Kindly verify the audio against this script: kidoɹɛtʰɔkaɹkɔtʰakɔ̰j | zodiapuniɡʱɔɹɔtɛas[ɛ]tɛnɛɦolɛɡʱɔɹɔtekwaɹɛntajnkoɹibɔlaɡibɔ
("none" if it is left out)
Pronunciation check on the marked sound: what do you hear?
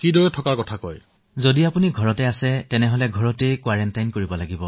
ɛ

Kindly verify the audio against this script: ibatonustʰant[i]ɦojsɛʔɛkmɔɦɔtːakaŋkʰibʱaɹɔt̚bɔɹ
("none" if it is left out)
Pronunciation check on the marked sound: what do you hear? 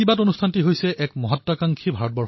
i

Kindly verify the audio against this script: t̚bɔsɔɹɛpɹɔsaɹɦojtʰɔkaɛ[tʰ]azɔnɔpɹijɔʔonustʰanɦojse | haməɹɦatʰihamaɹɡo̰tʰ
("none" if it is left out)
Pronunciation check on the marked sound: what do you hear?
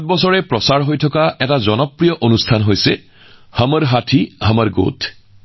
t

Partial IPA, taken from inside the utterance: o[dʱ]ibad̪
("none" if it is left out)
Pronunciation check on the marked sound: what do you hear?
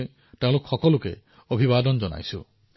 bʱ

